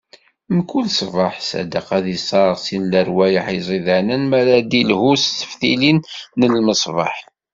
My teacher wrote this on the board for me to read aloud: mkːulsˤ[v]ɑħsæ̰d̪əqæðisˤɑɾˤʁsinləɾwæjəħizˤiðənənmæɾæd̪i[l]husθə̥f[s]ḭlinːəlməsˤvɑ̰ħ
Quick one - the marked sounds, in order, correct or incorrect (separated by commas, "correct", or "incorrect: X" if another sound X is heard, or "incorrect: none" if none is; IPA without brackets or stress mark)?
correct, correct, incorrect: θ